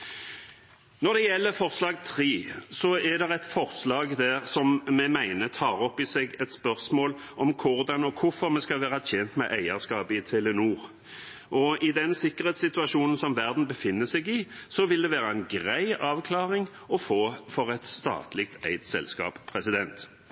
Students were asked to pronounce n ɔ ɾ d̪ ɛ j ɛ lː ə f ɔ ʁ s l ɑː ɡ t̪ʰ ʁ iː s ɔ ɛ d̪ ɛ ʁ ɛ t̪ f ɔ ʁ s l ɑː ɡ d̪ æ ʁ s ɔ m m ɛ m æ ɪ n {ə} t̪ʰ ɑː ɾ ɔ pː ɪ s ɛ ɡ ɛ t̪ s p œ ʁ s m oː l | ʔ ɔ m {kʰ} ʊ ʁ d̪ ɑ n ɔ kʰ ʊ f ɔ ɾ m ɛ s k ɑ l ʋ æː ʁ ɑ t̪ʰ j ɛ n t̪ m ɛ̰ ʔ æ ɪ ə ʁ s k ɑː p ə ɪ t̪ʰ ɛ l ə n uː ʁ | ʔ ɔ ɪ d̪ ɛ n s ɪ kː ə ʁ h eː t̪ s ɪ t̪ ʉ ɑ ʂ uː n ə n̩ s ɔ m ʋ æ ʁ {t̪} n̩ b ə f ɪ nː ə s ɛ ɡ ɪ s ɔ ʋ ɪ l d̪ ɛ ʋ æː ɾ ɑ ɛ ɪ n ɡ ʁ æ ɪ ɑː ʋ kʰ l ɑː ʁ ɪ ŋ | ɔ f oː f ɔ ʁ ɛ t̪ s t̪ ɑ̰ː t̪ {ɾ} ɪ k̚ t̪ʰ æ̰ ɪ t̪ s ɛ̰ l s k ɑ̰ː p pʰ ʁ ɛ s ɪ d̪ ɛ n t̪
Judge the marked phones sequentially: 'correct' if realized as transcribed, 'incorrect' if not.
correct, correct, incorrect: d̪, incorrect: l

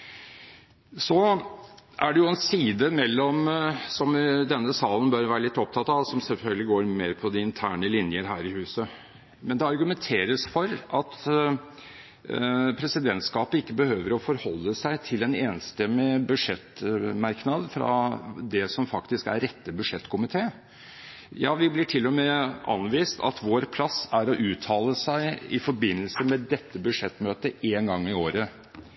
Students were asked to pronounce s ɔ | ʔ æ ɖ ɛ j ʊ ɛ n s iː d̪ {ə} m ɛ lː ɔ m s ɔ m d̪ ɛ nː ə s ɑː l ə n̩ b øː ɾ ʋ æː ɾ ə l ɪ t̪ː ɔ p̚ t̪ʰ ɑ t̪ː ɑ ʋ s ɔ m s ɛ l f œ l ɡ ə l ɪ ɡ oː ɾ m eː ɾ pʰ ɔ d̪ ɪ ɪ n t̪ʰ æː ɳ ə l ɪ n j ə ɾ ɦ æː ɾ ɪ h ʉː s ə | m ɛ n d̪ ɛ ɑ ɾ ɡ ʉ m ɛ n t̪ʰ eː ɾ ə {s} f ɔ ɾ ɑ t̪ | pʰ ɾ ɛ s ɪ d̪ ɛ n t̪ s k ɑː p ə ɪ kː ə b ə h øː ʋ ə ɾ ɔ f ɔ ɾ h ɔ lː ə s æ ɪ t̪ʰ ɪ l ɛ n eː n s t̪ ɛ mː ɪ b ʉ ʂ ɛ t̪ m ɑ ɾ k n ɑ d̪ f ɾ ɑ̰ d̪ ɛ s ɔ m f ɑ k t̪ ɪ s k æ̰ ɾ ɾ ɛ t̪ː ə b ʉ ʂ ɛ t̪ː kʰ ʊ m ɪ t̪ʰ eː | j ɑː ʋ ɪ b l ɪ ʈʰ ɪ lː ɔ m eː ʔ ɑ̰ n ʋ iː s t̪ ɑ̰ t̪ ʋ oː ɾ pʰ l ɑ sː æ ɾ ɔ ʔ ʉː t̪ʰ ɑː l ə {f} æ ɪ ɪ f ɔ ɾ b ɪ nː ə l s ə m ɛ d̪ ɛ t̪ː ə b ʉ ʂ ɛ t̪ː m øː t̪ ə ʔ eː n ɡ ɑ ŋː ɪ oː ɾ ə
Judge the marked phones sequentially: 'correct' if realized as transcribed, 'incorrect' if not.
correct, correct, incorrect: s

